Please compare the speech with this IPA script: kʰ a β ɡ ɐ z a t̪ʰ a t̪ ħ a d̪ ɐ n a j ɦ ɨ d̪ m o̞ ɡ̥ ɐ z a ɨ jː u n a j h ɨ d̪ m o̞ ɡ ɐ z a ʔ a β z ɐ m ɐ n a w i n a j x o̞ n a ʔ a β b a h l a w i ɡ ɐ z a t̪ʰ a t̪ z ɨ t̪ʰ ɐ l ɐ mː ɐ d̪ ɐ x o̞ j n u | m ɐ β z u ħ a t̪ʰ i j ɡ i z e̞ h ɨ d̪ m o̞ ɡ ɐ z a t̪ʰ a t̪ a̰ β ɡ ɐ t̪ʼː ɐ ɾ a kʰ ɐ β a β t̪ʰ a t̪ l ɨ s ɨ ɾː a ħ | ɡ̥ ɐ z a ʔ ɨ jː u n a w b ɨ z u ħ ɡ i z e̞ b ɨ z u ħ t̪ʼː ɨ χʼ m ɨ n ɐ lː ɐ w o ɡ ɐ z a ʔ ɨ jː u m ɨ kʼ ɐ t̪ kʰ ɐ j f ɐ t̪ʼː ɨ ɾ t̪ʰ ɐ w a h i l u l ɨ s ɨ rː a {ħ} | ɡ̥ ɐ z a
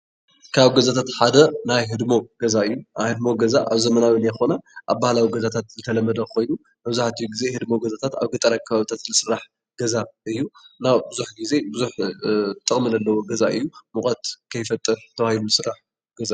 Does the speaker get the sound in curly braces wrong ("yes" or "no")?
no